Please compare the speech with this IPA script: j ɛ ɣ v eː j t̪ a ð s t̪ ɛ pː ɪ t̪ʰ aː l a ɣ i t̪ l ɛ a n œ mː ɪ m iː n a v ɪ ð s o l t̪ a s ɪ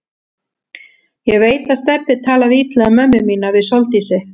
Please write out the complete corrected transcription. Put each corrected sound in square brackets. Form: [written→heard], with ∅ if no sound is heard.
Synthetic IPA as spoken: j ɛ ɣ v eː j t̪ a ð s t̪ ɛ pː ɪ t̪ʰ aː l a [ɣ→ð] i t̪ l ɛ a [n→m] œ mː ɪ m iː n a v ɪ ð s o l t̪ [a→i] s ɪ